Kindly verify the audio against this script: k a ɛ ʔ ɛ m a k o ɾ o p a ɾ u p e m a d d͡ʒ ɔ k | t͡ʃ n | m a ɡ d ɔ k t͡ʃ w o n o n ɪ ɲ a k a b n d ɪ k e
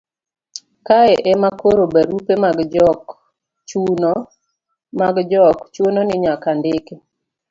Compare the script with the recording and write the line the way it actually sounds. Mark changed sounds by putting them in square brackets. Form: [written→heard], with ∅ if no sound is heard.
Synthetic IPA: k a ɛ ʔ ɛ m a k o ɾ o [p→b] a ɾ u p e m a [d→ɡ] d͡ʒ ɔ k | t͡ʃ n | m a ɡ [d→d͡ʒ] ɔ k t͡ʃ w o n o n ɪ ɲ a k a [b→∅] n d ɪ k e